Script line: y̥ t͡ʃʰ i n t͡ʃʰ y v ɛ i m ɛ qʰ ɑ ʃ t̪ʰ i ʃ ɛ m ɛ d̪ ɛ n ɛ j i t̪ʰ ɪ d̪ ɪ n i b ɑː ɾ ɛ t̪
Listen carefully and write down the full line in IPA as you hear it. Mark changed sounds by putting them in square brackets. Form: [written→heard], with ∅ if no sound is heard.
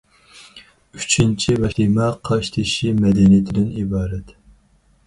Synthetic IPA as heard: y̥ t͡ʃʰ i n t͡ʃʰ [y→i] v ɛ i m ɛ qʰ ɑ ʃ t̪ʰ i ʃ [ɛ→i] m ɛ d̪ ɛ n [ɛ→i] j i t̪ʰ ɪ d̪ ɪ n i b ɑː ɾ ɛ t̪